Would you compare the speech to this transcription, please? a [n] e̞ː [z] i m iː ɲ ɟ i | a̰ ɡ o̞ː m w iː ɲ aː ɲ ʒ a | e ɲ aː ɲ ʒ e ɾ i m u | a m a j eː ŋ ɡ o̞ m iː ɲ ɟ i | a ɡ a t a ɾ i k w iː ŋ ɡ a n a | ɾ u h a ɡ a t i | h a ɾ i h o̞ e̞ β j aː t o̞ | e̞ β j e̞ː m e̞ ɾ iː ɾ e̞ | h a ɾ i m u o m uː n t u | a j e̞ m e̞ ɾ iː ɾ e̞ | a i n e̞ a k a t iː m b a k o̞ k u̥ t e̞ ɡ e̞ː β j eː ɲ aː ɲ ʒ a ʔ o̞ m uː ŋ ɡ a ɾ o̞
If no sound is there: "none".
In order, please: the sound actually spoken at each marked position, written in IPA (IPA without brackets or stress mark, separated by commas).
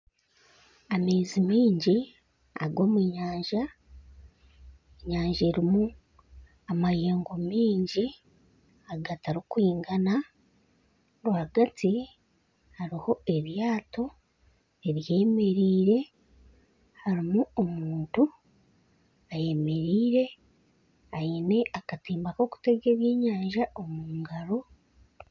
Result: m, z